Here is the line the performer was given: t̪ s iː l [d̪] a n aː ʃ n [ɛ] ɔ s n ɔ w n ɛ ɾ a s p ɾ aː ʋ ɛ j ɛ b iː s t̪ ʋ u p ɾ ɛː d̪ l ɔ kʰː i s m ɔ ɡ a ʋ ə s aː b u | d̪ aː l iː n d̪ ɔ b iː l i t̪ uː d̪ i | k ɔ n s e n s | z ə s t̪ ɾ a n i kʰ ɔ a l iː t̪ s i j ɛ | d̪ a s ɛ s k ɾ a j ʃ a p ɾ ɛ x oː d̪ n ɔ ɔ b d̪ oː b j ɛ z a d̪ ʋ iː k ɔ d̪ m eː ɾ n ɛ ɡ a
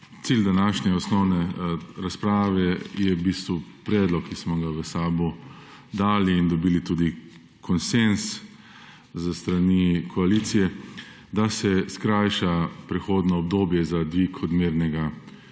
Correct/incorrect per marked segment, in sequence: correct, correct

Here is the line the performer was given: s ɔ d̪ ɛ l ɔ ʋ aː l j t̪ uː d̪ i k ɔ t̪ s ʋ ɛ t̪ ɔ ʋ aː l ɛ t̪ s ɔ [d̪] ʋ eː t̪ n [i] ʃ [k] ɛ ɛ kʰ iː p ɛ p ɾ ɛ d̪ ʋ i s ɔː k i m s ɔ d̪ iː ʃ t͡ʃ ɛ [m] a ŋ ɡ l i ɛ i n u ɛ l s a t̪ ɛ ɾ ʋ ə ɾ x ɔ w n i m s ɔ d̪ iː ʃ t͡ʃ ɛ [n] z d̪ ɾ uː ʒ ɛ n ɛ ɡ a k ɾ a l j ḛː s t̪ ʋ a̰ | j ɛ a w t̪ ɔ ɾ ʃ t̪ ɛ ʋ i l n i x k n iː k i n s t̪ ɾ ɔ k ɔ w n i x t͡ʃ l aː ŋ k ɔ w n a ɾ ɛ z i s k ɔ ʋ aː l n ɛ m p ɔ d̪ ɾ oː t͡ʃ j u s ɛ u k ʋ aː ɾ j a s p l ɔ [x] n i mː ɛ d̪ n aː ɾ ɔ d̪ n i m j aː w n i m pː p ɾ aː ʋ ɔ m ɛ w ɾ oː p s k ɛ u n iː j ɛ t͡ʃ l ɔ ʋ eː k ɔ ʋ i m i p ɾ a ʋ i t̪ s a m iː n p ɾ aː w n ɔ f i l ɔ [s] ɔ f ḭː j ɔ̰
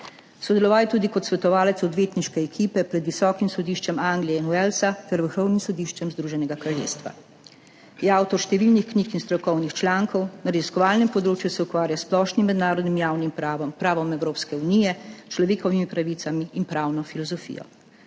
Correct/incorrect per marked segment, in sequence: correct, correct, correct, correct, incorrect: m, incorrect: ʃ, incorrect: z

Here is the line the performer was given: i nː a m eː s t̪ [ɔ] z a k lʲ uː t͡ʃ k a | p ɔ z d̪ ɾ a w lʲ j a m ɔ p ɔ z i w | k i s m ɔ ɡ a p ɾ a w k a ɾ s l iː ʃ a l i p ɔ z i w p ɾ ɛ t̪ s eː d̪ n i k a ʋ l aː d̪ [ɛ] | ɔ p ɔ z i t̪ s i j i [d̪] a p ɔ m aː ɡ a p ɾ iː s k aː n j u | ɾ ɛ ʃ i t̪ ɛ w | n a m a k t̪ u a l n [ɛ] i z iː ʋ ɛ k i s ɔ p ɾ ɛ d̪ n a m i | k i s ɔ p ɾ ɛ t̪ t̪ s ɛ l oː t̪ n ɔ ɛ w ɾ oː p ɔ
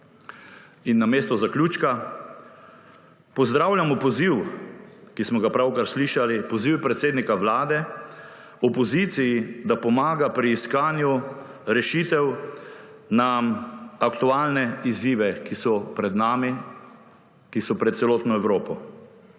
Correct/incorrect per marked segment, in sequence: correct, correct, correct, correct

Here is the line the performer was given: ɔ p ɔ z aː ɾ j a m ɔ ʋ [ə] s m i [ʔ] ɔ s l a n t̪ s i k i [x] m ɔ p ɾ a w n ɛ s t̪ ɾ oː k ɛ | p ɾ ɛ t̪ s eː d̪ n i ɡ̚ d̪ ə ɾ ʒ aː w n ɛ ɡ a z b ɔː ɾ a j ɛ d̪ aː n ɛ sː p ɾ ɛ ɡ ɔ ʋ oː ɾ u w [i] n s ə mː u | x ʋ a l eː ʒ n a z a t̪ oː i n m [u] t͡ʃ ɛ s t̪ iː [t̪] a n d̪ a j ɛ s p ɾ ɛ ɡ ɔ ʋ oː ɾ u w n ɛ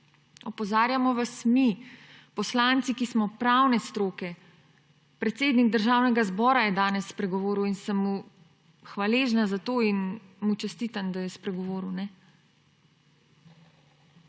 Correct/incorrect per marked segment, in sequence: incorrect: a, incorrect: p, incorrect: s, correct, correct, correct

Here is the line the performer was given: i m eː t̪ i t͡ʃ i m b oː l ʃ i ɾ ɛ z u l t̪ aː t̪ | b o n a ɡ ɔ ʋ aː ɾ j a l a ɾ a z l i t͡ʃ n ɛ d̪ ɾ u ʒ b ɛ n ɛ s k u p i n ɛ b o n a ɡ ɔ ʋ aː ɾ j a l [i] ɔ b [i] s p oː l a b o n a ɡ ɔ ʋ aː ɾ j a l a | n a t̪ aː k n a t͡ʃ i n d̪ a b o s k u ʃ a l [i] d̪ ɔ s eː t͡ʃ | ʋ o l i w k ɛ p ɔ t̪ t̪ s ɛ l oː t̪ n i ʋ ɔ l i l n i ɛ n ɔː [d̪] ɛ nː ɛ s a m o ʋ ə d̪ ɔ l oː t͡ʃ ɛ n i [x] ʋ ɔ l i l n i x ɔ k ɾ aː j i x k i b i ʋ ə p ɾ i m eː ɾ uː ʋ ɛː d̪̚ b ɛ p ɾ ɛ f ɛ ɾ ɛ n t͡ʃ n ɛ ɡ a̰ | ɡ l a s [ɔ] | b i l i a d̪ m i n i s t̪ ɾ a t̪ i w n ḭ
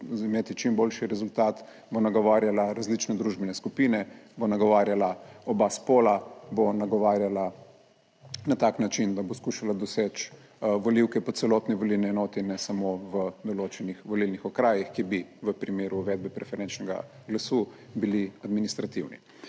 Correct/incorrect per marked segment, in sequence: incorrect: a, incorrect: a, incorrect: a, incorrect: t̪, correct, incorrect: u

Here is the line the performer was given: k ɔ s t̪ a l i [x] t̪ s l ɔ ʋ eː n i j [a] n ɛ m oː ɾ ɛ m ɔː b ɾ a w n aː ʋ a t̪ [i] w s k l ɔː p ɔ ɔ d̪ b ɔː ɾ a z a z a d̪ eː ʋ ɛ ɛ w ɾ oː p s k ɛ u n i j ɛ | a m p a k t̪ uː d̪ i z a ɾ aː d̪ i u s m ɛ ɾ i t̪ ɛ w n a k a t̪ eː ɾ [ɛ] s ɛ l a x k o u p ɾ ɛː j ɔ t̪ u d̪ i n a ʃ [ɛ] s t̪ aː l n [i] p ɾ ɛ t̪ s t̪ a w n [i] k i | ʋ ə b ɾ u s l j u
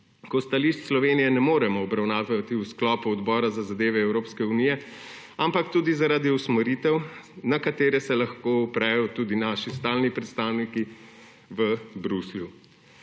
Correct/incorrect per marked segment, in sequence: incorrect: ʃ, incorrect: ɛ, correct, correct, incorrect: i, correct, correct

